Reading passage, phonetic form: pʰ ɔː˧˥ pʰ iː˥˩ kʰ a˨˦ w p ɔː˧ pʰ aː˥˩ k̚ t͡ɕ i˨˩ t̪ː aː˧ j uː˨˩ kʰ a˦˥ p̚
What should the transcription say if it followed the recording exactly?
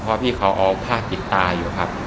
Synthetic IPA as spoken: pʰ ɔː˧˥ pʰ iː˥˩ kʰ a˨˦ w ʔ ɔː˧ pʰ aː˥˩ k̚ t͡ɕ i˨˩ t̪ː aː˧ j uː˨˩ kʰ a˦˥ p̚